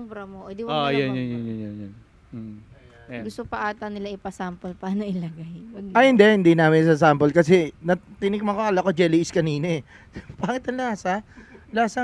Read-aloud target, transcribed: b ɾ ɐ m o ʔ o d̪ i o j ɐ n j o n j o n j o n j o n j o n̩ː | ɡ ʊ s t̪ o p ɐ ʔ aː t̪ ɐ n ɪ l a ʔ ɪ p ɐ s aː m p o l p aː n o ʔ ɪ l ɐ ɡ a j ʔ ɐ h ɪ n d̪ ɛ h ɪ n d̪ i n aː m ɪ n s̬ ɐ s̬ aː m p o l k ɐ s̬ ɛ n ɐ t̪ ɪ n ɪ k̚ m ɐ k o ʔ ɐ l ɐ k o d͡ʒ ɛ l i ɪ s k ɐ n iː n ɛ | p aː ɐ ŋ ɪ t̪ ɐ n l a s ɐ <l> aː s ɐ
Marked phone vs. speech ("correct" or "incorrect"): correct